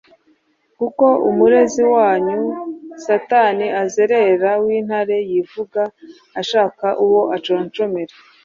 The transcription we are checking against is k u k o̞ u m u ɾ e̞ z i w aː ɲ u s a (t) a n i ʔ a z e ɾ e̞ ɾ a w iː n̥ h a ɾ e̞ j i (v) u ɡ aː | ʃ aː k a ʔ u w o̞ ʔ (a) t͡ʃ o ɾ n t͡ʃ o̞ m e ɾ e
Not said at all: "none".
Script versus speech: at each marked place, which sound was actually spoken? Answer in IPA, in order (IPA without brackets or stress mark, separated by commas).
t, v, a